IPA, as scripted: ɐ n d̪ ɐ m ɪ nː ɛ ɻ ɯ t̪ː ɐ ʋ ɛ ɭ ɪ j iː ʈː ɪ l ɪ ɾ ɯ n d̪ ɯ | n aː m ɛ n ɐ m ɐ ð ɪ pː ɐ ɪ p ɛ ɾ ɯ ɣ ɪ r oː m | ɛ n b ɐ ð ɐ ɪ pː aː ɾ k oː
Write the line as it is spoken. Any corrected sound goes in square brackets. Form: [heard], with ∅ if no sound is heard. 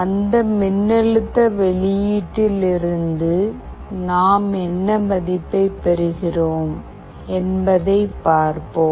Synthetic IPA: ɐ n d̪ ɐ m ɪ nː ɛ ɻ ɯ t̪ː ɐ ʋ ɛ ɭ ɪ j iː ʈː ɪ l ɪ ɾ ɯ n d̪ ɯ | n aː m ɛ [nː] ɐ m ɐ ð ɪ pː ɐ ɪ p ɛ ɾ ɯ ɣ ɪ r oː m | ɛ n b ɐ ð ɐ ɪ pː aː ɾ [p] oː